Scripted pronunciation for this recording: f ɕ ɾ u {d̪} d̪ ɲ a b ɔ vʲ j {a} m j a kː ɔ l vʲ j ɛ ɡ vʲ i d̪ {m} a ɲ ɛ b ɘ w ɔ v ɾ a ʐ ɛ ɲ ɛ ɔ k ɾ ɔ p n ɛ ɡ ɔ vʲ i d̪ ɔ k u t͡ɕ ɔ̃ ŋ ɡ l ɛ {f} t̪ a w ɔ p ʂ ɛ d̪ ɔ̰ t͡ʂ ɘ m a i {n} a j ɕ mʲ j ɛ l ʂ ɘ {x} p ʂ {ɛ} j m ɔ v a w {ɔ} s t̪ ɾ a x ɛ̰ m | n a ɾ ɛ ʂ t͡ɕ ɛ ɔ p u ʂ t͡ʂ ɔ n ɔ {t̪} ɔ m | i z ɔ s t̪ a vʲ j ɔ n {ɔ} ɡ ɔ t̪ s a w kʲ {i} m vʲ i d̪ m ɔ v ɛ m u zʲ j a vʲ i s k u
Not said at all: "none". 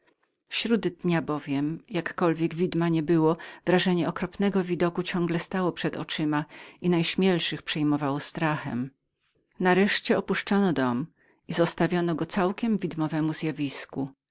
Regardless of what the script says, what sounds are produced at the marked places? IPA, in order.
d̪, ɛ, m, s, n, x, ɛ, ɔ, d̪, ɔ, ɛ

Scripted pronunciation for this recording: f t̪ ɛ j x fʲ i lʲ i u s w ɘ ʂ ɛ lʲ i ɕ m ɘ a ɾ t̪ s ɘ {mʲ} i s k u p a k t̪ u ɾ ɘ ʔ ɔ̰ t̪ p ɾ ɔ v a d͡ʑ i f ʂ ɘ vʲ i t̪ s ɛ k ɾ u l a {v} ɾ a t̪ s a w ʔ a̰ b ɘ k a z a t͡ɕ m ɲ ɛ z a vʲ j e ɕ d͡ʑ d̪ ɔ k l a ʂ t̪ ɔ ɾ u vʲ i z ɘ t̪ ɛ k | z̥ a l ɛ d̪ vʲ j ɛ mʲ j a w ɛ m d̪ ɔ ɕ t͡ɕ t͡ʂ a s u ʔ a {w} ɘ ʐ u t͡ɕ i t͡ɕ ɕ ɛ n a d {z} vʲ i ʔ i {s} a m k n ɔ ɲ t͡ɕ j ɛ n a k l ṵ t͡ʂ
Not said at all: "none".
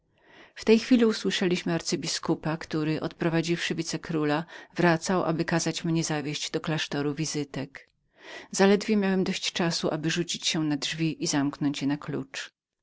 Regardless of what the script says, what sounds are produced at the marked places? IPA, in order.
bʲ, v, b, ʐ, z

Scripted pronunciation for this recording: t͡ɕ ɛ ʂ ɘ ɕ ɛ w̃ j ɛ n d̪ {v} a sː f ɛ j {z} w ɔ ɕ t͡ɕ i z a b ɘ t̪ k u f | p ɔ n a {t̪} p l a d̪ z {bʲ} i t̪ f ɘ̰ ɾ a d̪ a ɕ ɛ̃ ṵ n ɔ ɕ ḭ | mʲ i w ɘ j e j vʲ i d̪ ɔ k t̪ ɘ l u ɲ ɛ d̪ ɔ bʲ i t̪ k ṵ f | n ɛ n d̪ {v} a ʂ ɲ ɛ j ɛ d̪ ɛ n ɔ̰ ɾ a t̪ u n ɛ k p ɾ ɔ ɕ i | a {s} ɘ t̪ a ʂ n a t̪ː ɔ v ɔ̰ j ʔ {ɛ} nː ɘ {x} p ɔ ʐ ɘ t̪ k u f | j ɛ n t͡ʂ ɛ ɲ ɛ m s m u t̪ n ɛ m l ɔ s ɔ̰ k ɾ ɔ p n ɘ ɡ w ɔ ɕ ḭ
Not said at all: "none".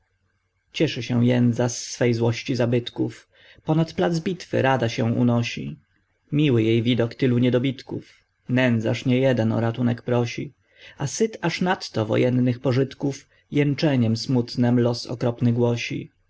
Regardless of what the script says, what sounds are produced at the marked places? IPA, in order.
z, z, t̪, bʲ, z, s, ɛ, x

